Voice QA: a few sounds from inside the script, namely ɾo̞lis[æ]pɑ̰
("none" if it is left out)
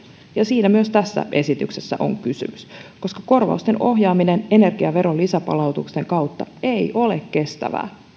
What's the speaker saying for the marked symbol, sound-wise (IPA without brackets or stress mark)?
æ